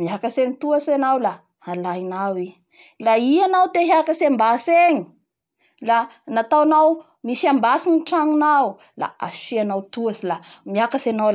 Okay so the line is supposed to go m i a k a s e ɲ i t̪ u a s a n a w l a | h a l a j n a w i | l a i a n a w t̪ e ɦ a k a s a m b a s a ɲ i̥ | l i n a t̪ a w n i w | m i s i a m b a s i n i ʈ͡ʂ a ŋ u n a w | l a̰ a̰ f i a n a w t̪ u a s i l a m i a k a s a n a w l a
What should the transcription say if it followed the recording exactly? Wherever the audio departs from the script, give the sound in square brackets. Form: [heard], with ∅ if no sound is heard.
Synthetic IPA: m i a k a s e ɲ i t̪ u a s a n a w l a | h a l a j n a w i | l a i a n a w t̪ e ɦ a k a s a m b a s [e] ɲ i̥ | l [a] n a t̪ a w n [a] w | m i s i a m b a s i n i ʈ͡ʂ a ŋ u n a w | l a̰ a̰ f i a n a w t̪ u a s i l a m i a k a s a n a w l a